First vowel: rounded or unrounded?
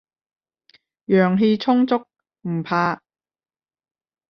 rounded